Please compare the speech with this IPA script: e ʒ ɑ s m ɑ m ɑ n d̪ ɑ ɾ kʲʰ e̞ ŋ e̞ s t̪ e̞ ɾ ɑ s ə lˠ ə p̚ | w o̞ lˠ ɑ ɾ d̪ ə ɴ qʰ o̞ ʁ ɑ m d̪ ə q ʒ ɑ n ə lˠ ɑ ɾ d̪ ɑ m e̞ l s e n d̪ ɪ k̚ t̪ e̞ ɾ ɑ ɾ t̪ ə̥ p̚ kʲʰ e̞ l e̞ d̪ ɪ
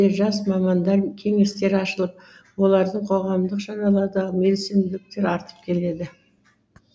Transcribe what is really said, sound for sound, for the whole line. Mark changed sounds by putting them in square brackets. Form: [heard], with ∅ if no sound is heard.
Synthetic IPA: e ʒ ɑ s m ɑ m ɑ n d̪ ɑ ɾ kʲʰ e̞ ŋ e̞ s t̪ e̞ ɾ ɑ [ʃ] ə lˠ ə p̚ | w o̞ lˠ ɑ ɾ d̪ ə ɴ qʰ o̞ ʁ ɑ m d̪ ə q ʒ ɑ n [ɑ] lˠ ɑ ɾ d̪ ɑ m e̞ l s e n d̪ ɪ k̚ t̪ e̞ ɾ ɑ ɾ t̪ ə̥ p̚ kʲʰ e̞ l e̞ d̪ ɪ